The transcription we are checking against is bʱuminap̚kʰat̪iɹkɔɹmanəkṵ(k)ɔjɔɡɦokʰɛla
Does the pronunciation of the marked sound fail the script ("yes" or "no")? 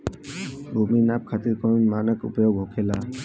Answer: yes